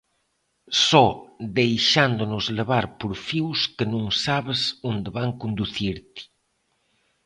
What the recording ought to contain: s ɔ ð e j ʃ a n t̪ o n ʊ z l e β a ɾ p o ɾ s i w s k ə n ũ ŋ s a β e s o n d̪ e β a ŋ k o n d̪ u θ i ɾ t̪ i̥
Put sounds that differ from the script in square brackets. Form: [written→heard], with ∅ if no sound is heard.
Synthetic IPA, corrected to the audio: s ɔ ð e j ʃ a n [t̪→d̪] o n ʊ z l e β a ɾ p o ɾ [s→f] i w s k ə n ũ ŋ s a β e s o n d̪ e β a ŋ k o n d̪ u θ i ɾ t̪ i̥